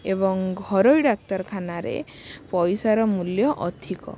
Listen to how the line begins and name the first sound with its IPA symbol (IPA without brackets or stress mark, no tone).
e